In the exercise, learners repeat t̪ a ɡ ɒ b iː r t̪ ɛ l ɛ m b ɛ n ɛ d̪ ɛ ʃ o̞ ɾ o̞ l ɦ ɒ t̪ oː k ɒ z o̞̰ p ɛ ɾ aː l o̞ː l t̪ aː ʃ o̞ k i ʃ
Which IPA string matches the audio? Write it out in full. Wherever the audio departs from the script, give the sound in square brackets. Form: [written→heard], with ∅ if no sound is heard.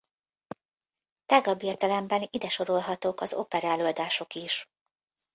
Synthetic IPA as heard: t̪ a ɡ ɒ b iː r t̪ ɛ l ɛ m b ɛ n [ɛ→i] d̪ ɛ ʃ o̞ ɾ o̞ l ɦ ɒ t̪ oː k ɒ z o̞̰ p ɛ ɾ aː l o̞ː l [t̪→d̪] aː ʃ o̞ k i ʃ